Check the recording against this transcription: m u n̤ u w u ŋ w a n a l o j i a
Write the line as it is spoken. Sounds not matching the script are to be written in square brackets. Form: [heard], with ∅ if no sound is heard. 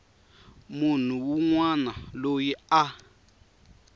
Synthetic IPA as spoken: m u n̤ u w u ŋ w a n a l o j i a

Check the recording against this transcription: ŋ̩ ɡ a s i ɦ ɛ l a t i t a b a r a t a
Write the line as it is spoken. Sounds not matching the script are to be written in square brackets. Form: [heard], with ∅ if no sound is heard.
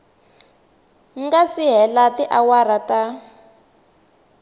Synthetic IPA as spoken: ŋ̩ ɡ a s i ɦ ɛ l a t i [ʔ] a [w] a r a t a

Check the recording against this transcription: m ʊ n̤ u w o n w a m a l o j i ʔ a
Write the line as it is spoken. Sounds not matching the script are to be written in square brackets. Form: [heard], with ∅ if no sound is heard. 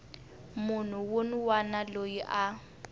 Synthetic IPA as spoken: m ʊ n̤ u w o n w a [n] a l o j i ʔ a

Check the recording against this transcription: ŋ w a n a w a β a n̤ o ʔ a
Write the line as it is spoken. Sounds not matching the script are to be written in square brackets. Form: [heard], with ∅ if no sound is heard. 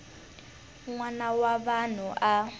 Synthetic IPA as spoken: ŋ w a n a w a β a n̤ [u] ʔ a

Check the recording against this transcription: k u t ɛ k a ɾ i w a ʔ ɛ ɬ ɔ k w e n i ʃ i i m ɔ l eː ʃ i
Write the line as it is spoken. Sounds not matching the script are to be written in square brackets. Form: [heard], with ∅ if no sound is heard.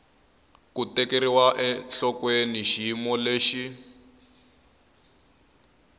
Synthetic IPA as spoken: k u t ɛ k [e] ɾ i w a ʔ ɛ ɬ ɔ k w e n i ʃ i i m ɔ l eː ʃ i

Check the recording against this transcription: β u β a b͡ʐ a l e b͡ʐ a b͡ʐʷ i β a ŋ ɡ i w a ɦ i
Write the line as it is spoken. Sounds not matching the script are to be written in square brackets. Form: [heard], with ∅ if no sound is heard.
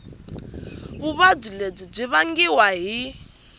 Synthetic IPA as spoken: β u β a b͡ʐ [i] l e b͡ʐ [i] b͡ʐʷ i β a ŋ ɡ i w a ɦ i

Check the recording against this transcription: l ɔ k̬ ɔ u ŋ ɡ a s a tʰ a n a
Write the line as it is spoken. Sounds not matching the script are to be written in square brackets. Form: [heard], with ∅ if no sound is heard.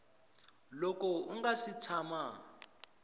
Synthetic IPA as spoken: l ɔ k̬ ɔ u ŋ ɡ a s [i] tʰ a [m] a

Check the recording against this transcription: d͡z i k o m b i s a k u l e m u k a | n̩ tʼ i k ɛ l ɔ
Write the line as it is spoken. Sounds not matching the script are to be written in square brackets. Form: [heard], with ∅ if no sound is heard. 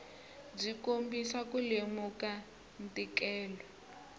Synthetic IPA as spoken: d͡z i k o m b i s a k u l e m u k a | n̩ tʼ i k [ɛː] l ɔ

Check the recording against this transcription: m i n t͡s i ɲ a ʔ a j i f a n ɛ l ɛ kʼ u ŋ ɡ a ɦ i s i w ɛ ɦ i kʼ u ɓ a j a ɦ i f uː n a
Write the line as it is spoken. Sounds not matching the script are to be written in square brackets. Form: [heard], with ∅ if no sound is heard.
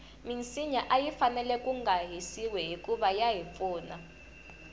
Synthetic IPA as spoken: m i n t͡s i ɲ a ʔ a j i f a n ɛ l ɛ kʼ u ŋ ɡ a ɦ i s i w ɛ ɦ i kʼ u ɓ a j a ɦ i f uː n a

